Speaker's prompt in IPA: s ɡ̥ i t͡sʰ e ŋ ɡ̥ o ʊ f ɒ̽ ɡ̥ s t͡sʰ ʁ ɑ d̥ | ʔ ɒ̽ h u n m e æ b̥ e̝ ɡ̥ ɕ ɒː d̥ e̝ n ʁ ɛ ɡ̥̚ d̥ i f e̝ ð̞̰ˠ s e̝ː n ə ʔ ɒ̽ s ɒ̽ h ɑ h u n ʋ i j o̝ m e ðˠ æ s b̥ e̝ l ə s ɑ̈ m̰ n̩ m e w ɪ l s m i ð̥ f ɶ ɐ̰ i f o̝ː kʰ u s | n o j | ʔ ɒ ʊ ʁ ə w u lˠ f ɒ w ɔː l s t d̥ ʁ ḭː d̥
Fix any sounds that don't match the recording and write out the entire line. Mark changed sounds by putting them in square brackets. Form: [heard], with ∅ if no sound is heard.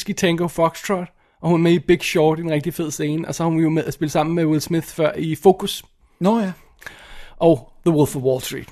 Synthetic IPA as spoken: s ɡ̥ i t͡sʰ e ŋ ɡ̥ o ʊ f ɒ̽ ɡ̥ s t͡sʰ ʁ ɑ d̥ | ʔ ɒ̽ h u n m e [i] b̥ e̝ ɡ̥ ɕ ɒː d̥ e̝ n ʁ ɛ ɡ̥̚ d̥ i f e̝ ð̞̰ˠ s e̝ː n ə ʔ ɒ̽ s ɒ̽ h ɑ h u n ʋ i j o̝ m e ðˠ æ s b̥ e̝ l ə s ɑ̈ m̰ n̩ m e w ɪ l s m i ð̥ f ɶ ɐ̰ i f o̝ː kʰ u s | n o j | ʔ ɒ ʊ [ð] ə w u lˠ f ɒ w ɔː l s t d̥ ʁ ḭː d̥